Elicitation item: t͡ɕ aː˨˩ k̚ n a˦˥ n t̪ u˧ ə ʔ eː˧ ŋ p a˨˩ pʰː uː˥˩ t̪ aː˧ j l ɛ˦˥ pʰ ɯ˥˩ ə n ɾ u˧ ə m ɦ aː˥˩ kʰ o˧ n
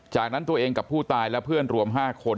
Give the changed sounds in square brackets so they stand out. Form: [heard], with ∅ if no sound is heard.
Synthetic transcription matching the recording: t͡ɕ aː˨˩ k̚ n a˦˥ n t̪ u˧ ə ʔ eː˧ ŋ [k] a˨˩ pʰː uː˥˩ t̪ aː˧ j l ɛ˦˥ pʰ ɯ˥˩ ə n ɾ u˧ ə m ɦ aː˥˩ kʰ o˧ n